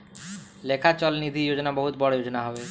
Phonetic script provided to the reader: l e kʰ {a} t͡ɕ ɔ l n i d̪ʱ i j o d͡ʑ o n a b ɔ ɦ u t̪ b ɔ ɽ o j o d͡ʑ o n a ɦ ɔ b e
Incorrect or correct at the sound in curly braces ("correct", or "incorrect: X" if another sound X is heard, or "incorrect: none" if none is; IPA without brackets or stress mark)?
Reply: correct